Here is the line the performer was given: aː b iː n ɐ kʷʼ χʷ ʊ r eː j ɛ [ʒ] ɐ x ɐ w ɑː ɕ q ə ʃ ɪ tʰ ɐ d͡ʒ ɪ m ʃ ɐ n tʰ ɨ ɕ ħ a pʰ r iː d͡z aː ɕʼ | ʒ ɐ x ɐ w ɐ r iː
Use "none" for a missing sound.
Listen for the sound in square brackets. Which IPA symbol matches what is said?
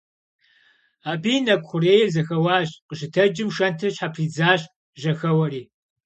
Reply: z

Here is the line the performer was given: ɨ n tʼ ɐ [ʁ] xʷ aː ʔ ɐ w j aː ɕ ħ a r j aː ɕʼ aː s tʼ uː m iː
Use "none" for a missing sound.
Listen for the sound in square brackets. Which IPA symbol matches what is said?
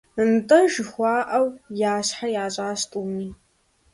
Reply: ʒ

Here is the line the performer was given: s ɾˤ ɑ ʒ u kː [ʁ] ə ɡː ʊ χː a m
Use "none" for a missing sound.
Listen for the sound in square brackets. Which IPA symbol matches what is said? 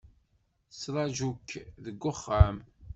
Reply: ð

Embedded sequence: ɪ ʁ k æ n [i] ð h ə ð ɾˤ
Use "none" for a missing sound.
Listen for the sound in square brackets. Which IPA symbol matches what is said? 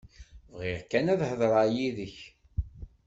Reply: æ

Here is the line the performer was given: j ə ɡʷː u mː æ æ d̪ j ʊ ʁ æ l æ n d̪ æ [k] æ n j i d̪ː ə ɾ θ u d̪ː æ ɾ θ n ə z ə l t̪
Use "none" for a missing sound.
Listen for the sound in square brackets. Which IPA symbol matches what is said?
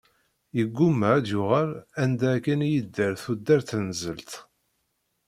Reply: k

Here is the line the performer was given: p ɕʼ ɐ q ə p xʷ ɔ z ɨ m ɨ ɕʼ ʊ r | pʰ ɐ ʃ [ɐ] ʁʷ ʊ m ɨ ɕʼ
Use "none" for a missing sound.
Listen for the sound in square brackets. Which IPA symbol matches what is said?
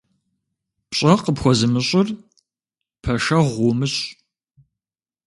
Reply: ɐ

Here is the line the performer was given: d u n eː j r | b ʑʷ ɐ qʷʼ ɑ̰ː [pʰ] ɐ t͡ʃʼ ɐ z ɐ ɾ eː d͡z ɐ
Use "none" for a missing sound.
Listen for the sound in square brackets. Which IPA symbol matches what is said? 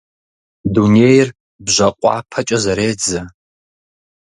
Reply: pʰ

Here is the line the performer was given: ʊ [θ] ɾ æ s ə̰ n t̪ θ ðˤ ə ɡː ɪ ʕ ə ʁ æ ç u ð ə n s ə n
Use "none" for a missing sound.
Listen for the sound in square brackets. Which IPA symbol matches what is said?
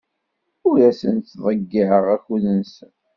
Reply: none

